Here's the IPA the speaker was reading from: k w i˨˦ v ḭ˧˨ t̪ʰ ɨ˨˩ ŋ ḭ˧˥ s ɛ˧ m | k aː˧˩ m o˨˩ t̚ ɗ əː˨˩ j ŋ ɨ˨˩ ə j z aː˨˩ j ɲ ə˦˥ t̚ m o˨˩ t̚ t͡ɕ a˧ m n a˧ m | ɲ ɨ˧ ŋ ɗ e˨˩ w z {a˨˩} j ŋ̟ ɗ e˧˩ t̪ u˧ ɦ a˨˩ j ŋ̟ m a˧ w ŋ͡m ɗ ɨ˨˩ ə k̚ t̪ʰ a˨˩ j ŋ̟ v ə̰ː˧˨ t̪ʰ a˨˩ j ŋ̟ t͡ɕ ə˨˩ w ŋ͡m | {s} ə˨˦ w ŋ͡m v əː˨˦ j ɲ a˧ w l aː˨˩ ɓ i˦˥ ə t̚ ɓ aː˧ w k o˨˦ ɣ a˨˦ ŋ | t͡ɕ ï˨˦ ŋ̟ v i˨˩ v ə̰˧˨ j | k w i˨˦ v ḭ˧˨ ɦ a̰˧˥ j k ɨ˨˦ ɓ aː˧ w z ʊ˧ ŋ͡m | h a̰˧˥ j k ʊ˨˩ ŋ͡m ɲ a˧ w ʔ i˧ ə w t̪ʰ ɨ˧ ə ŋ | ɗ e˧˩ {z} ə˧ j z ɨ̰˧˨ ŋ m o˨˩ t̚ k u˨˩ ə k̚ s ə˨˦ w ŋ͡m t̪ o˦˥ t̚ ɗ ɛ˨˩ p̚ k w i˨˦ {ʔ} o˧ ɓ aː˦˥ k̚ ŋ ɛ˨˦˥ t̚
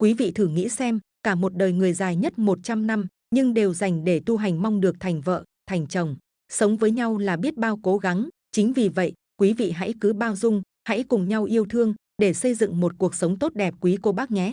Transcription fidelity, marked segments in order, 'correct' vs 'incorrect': correct, correct, incorrect: s, incorrect: k

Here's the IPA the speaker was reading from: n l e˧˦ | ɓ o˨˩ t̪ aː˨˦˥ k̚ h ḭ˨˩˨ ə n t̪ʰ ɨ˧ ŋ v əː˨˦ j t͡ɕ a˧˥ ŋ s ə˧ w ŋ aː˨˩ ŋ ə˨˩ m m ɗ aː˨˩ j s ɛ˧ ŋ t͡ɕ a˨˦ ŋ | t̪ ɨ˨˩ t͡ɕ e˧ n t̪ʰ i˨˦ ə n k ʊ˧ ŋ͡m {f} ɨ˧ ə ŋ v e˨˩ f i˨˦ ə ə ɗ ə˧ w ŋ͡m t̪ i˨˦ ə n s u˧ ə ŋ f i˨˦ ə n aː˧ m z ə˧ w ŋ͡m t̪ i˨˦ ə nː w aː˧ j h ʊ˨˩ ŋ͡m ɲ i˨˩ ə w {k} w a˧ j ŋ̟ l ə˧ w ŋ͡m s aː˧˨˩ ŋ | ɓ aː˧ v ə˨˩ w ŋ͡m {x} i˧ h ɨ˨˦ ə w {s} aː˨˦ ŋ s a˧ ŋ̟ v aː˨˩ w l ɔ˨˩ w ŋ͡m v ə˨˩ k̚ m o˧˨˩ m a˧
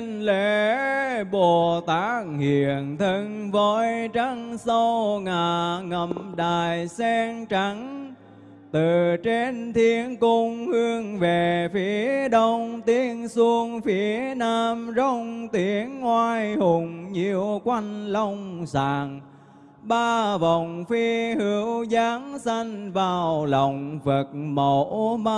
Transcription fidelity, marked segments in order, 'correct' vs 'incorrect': incorrect: h, correct, incorrect: f, incorrect: z

